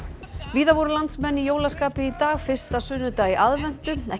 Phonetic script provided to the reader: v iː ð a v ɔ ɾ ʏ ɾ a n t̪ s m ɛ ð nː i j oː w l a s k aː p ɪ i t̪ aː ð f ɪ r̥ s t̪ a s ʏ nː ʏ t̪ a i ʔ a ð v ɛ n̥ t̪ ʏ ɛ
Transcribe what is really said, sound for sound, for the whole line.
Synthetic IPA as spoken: v iː ð a v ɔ ɾ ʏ l a n t̪ s m ɛ nː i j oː w l a s k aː p ɪ i t̪ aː ɣ f ɪ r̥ s t̪ a s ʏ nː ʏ t̪ a i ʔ a ð v ɛ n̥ t̪ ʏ ɛ